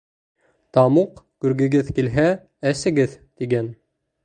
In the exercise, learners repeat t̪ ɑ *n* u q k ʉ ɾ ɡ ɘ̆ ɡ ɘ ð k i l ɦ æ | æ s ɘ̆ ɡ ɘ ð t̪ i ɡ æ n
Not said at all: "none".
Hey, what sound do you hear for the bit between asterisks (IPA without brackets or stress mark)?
m